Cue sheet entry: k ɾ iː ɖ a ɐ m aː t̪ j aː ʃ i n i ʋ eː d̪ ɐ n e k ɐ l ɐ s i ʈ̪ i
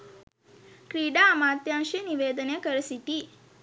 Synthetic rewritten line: k ɾ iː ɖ a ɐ m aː t̪ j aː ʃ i n i ʋ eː d̪ ɐ n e k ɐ ɾ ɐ s i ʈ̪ i

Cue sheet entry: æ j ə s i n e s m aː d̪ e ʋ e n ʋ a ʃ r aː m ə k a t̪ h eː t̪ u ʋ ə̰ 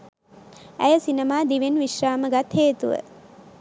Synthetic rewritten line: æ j ə s i n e m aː d̪ i ʋ e n ʋ i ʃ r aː m ə ɡ a t̪ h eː t̪ u ʋ ə̰

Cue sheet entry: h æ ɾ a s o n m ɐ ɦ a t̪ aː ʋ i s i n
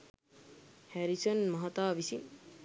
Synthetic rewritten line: h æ ɾ i s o n m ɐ ɦ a t̪ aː ʋ i s i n

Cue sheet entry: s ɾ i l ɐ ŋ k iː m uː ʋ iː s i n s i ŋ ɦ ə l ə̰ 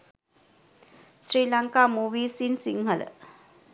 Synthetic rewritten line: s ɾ iː l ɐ ŋ k aː m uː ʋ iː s i n s i ŋ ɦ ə l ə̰

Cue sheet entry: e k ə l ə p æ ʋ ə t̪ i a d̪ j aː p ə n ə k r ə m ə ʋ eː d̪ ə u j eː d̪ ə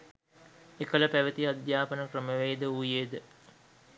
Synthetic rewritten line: e k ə l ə p æ ʋ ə t̪ i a d̪ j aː p ə n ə k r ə m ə ʋ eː d̪ ə u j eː d̪ ə

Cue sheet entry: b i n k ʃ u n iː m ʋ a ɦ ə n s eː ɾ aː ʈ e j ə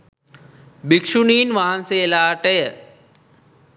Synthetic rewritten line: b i k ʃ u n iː n ʋ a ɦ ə n s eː l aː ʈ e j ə

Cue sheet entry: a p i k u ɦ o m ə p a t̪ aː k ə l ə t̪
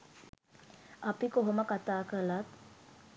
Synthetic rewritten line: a p i k o ɦ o m ə k a t̪ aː k ə l a t̪

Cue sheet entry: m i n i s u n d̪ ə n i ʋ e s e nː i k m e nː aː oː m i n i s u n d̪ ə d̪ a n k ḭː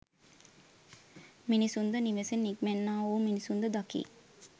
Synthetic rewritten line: m i n i s u n d̪ ə n i ʋ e s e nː i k m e nː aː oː m i n i s u n d̪ ə d̪ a k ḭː

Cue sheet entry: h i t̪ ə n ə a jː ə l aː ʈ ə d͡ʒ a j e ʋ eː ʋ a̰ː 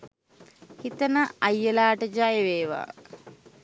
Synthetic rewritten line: h i t̪ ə n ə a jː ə l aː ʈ ə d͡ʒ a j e ʋ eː ʋ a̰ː

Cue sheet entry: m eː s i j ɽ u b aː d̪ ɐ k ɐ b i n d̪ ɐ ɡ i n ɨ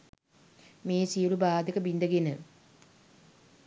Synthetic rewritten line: m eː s i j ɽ u b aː d̪ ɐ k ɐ b i n d̪ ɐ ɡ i n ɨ

